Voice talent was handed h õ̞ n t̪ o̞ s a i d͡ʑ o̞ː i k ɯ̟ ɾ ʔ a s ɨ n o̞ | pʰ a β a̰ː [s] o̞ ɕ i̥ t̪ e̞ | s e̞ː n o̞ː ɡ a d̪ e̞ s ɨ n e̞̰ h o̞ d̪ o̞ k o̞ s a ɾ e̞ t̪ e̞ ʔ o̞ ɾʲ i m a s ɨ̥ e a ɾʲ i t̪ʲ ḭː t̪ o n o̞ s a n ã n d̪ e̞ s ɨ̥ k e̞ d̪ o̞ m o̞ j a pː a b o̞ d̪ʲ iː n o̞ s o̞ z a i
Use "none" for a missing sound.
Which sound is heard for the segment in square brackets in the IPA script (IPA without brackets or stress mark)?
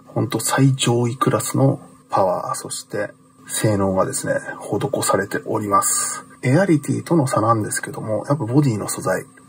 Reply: s